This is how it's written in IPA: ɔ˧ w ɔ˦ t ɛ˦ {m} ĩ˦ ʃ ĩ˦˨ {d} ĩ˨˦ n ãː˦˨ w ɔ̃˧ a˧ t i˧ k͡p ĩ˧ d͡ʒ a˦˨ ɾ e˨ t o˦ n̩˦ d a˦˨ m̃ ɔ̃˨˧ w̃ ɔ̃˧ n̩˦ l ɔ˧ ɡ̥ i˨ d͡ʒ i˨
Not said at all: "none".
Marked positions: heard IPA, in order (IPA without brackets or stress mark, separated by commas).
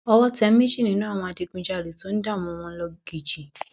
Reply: m, n